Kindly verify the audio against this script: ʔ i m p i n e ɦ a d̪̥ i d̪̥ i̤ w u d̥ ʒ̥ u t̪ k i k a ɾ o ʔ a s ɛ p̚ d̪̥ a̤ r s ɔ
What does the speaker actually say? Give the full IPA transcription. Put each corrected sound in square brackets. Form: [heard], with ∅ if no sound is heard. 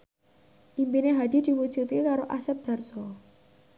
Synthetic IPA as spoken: ʔ i m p i n e ɦ a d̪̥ i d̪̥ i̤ w u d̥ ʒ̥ u t̪ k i k a ɾ o ʔ a s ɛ p̚ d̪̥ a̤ r s ɔ